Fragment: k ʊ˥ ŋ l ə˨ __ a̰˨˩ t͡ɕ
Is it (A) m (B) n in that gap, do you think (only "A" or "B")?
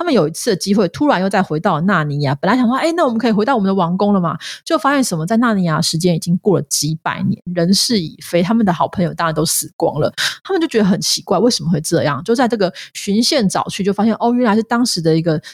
A